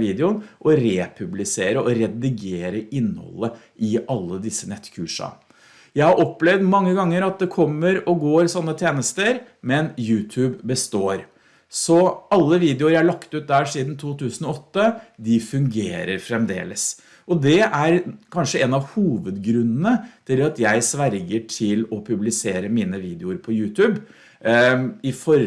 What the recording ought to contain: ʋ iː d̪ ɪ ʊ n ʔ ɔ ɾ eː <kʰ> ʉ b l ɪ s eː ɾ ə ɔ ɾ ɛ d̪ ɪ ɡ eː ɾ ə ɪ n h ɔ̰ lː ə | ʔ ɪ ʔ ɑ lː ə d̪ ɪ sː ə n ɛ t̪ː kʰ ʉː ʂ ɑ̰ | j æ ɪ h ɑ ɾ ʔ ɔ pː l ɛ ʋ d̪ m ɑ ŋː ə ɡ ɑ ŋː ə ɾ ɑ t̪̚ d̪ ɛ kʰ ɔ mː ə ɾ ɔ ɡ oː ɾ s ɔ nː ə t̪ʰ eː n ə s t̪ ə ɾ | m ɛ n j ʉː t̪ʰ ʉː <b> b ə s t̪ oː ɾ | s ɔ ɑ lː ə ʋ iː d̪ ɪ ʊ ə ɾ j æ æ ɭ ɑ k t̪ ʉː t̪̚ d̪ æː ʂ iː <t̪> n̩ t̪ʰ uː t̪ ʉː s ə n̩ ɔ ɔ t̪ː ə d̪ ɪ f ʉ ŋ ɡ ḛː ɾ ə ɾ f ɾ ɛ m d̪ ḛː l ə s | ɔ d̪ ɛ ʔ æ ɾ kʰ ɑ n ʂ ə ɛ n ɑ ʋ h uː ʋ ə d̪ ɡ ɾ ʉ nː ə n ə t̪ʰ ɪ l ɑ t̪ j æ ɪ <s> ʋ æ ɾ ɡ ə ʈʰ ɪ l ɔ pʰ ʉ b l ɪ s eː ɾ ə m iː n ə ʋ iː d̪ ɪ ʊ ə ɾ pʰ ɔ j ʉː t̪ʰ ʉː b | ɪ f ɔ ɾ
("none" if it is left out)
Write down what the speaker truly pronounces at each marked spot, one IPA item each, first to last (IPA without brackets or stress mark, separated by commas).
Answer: pʰ, b, d̪, s